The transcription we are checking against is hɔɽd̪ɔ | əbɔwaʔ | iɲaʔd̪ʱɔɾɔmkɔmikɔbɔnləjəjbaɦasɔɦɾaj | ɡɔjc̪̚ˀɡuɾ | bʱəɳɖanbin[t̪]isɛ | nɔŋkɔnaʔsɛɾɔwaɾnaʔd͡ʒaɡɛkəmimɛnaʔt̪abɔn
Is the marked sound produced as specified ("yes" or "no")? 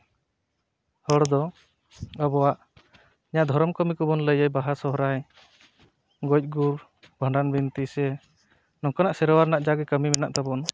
yes